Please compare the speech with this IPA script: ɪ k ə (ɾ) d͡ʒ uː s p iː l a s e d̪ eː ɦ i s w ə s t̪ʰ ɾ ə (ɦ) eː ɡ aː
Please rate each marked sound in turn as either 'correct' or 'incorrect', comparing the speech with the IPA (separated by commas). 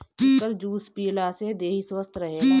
correct, correct